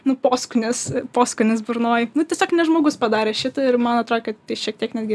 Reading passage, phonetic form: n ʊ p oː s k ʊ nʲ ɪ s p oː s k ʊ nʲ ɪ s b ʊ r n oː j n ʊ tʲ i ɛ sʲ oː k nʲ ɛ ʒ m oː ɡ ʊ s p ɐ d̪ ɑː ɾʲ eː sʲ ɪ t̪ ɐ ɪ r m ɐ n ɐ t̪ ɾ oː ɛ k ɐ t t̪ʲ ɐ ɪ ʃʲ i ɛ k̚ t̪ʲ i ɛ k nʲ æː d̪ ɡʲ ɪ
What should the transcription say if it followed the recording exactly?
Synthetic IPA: n ʊ p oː s k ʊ nʲ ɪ s p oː s k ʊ nʲ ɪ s b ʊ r n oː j n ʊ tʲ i ɛ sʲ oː k nʲ ɛ ʒ m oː ɡ ʊ s p ɐ d̪ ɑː ɾʲ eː ʃʲ ɪ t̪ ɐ ɪ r m ɐ n ɐ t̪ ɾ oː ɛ k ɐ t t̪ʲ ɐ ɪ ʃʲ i ɛ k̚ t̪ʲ i ɛ k nʲ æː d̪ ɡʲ ɪ